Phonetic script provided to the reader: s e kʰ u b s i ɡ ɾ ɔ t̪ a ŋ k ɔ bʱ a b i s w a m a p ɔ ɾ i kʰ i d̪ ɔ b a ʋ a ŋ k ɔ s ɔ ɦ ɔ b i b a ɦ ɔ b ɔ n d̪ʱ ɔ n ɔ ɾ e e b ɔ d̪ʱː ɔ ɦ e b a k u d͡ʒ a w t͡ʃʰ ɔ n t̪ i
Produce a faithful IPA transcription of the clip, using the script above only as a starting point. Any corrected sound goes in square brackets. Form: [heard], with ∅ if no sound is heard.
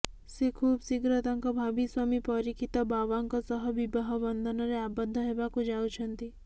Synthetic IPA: s e kʰ u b s i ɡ ɾ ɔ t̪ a ŋ k ɔ bʱ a b i s w a m [i] p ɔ ɾ i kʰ i [t̪] ɔ b a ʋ a ŋ k ɔ s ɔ ɦ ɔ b i b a ɦ ɔ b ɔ n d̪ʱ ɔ n ɔ ɾ e [a] b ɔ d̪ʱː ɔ ɦ e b a k u d͡ʒ a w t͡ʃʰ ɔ n t̪ i

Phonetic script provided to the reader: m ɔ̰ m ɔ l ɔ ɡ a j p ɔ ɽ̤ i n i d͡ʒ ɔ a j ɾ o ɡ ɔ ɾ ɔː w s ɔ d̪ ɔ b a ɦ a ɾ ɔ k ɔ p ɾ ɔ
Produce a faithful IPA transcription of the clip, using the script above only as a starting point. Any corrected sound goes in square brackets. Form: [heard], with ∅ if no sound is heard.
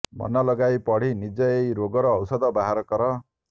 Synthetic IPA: m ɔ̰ [n] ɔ l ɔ ɡ a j p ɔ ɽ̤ i n i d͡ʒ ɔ [e] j ɾ o ɡ ɔ ɾ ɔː w s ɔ d̪ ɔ b a ɦ a ɾ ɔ k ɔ [∅] ɾ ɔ

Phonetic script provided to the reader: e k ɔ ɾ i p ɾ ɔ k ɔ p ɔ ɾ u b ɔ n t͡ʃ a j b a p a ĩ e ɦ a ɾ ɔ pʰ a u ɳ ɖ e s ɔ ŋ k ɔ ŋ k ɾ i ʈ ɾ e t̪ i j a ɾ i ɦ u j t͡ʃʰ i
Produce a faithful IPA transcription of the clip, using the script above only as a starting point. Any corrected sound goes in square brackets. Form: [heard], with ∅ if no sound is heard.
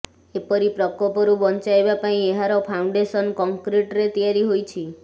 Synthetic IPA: e [p] ɔ ɾ i p ɾ ɔ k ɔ p ɔ ɾ u b ɔ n t͡ʃ a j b a p a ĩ e ɦ a ɾ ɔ pʰ a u ɳ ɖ e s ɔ [n] k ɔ ŋ k ɾ i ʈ ɾ e t̪ i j a ɾ i ɦ [o] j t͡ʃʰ i

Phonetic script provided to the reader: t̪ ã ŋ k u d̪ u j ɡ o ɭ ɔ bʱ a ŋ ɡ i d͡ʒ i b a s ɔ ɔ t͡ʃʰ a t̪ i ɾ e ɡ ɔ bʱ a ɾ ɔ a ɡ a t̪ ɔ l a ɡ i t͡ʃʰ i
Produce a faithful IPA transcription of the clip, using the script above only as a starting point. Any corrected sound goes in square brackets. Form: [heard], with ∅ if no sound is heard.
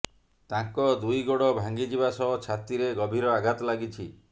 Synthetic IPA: t̪ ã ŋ k [ɔ] d̪ u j ɡ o [ɽ] ɔ bʱ a ŋ ɡ i d͡ʒ i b a s ɔ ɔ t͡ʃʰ a t̪ i ɾ e ɡ ɔ bʱ [i] ɾ ɔ a ɡ a t̪ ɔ l a ɡ i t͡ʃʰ i

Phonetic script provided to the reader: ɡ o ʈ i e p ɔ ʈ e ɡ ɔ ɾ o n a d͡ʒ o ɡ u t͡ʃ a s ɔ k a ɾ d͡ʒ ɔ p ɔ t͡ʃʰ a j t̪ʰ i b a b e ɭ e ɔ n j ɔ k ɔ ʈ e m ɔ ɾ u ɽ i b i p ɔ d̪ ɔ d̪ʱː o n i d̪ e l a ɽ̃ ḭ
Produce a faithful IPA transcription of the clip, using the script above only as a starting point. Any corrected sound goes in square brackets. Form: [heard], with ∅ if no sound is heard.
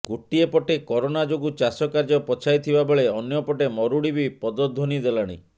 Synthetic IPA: ɡ o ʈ i e p ɔ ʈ e [k] ɔ ɾ o n a d͡ʒ o ɡ u t͡ʃ a s ɔ k a ɾ d͡ʒ ɔ p ɔ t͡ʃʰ a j t̪ʰ i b a b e ɭ e ɔ n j ɔ [p] ɔ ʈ e m ɔ ɾ u ɽ i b i p ɔ d̪ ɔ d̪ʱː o n i d̪ e l a ɽ̃ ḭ

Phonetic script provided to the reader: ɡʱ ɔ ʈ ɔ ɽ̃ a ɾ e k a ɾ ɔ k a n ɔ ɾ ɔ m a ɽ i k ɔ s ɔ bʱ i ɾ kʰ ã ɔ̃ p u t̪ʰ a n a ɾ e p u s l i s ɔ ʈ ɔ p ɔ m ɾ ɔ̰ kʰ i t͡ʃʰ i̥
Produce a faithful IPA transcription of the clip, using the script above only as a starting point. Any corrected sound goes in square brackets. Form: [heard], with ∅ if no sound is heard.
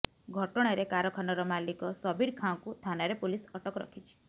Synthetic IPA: ɡʱ ɔ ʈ ɔ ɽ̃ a ɾ e k a ɾ ɔ [kʰ] a n ɔ ɾ ɔ m a [l] i k ɔ s ɔ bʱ i ɾ kʰ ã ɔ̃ [k] u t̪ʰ a n a ɾ e p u [∅] l i s ɔ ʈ ɔ [k] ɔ [∅] ɾ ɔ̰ kʰ i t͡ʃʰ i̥

